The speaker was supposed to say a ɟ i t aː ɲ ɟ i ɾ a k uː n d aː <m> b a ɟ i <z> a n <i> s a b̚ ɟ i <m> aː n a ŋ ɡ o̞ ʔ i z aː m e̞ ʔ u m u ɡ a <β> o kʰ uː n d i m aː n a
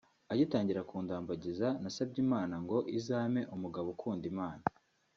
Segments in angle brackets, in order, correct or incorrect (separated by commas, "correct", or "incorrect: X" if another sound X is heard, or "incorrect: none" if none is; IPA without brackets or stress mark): correct, correct, incorrect: a, correct, correct